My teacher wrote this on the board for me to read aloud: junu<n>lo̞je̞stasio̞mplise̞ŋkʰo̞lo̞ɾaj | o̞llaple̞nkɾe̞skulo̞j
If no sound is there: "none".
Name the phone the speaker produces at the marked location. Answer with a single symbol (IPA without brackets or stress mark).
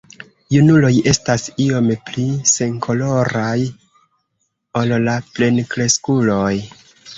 none